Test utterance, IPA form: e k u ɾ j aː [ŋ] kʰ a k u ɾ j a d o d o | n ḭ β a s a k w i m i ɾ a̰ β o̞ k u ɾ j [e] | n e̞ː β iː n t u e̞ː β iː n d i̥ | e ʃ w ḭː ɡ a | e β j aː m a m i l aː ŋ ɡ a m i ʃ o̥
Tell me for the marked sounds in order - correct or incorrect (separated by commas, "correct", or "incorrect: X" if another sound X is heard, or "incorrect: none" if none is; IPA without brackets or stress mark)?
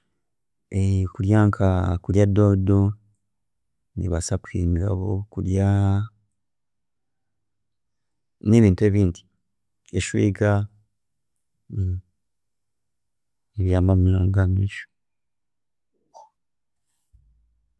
correct, incorrect: a